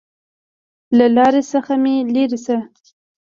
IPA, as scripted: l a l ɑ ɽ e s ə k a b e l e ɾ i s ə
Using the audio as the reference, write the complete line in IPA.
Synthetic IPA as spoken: l a l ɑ ɾ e s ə x a m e l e ɾ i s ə